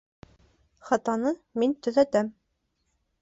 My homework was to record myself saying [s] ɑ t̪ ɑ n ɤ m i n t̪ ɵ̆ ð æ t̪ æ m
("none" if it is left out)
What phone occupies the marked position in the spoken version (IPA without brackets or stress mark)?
χ